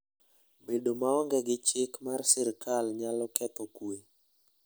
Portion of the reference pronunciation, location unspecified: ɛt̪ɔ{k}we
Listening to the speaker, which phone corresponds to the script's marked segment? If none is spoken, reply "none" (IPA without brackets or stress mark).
k